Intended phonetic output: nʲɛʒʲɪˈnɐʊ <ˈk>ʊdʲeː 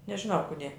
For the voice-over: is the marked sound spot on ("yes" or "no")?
yes